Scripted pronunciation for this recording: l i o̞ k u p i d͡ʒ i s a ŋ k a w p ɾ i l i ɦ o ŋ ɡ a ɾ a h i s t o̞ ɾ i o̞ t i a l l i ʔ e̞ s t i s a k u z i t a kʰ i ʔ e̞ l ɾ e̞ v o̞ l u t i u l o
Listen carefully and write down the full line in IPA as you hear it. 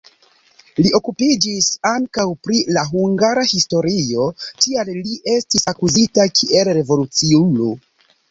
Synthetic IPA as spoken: l i o̞ k u p i d͡ʒ i s a ŋ k a w p ɾ i l a ɦ u ŋ ɡ a ɾ a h i s t o̞ ɾ i o̞ t i a l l i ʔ e̞ s t i s a k u z i t a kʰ i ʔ e̞ l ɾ e̞ v o̞ l u t͡s i u l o

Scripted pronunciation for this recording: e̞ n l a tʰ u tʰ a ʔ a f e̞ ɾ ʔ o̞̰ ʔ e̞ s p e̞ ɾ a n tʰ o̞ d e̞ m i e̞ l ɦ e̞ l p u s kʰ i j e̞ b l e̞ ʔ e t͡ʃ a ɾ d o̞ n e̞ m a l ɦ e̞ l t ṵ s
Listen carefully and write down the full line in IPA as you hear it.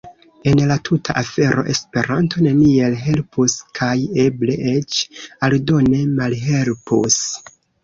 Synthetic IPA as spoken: e̞ n l a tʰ u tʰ a ʔ a f e̞ ɾ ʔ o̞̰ ʔ e̞ s p e̞ ɾ a n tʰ o̞ n e̞ n i e̞ l ɦ e̞ l p u s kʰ a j e̞ b l e̞ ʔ e t͡ʃ a l d o̞ n e̞ m a l ɦ e̞ l p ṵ s

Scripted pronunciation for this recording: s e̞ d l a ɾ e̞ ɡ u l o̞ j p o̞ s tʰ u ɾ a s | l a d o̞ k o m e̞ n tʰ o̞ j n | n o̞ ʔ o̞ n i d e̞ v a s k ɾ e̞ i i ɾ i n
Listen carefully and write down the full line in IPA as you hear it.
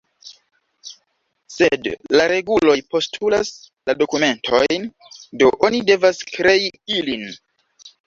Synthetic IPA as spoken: s e̞ d l a ɾ e̞ ɡ u l o̞ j p o̞ s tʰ u l a s | l a d o̞ k u m e̞ n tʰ o̞ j n | d o̞ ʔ o̞ n i d e̞ v a s k ɾ e̞ i i l i n

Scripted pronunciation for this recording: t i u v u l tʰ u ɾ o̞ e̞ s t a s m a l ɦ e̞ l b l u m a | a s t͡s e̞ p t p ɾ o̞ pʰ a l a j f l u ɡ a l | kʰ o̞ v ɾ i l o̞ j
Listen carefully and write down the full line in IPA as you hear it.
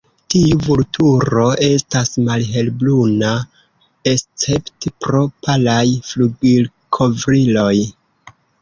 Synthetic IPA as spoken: t i u v u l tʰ u ɾ o̞ e̞ s t a s m a l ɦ e̞ l b l u n a | e s t͡s e̞ p t p ɾ o̞ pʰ a l a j f l u ɡ i l | kʰ o̞ v ɾ i l o̞ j

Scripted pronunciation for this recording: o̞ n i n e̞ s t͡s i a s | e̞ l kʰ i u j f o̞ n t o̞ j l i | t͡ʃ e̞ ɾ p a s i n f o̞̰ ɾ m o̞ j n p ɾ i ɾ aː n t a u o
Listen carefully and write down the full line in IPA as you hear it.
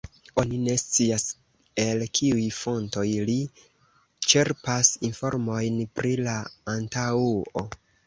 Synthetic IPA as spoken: o̞ n i n e̞ s t͡s i a s | e̞ l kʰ i u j f o̞ n t o̞ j l i | t͡ʃ e̞ ɾ p a s i n f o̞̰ ɾ m o̞ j n p ɾ i l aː n t a u o

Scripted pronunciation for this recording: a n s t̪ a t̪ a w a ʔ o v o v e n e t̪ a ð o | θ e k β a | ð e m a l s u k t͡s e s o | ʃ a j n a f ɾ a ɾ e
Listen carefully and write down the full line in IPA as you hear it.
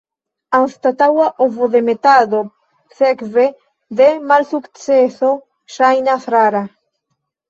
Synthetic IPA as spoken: a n s t̪ a t̪ a w a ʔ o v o ð e m e t̪ a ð o | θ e k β e | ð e m a l s u k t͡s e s o | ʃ a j n a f ɾ a ɾ a

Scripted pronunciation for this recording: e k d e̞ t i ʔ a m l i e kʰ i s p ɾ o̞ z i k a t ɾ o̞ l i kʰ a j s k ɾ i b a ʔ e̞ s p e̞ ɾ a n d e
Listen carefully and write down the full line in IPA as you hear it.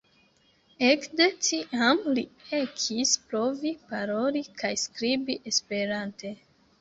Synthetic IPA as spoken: e k d e̞ t i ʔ a m l i e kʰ i s p ɾ o̞ v i p a ɾ o̞ l i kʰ a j s k ɾ i b i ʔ e̞ s p e̞ ɾ a n t e

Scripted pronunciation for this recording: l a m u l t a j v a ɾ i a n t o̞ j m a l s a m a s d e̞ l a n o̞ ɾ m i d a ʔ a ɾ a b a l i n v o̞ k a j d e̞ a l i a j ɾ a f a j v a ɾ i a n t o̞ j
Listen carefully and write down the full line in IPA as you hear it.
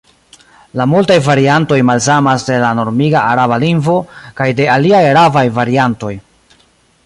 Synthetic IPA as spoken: l a m u l t a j v a ɾ i a n t o̞ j m a l s a m a s d e̞ l a n o̞ ɾ m i ɡ a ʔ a ɾ a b a l i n v o̞ k a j d e̞ a l i a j ɾ a v a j v a ɾ i a n t o̞ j

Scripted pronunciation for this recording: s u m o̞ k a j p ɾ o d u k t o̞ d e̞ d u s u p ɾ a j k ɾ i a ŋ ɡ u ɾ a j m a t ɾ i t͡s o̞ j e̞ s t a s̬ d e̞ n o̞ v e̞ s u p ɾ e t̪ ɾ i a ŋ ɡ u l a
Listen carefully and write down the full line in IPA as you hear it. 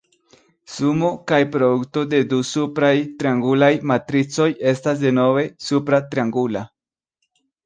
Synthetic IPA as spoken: s u m o̞ k a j p ɾ o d u k t o̞ d e̞ d u s u p ɾ a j t ɾ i a ŋ ɡ u l a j m a t ɾ i t͡s o̞ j e̞ s t a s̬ d e̞ n o̞ v e̞ s u p ɾ a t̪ ɾ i a ŋ ɡ u l a

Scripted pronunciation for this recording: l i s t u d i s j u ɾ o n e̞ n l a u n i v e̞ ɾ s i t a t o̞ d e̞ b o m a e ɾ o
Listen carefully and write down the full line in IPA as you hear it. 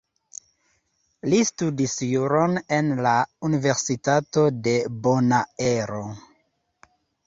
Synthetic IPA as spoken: l i s t u d i s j u ɾ o n e̞ n l a u n i v e̞ ɾ s i t a t o̞ d e̞ b o n a e ɾ o

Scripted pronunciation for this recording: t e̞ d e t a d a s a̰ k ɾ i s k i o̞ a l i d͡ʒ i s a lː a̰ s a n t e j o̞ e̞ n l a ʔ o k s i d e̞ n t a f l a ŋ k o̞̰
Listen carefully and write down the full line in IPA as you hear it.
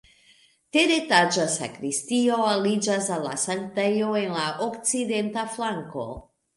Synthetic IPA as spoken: t e̞ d e t a d͡ʒ a s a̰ k ɾ i s t i o̞ a l i d͡ʒ a s a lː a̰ s a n t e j o̞ e̞ n l a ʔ o k t͡s i d e̞ n t a f l a ŋ k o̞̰

